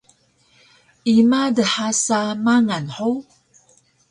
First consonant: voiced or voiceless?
voiced